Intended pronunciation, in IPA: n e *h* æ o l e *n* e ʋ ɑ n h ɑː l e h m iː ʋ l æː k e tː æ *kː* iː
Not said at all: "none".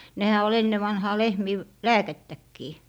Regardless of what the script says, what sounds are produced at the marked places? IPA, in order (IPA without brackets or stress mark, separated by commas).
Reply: h, nː, kː